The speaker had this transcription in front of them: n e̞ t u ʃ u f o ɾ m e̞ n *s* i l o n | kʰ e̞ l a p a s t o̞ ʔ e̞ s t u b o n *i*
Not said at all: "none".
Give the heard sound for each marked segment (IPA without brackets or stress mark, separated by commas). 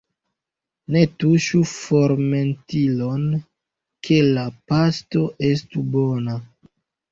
t, a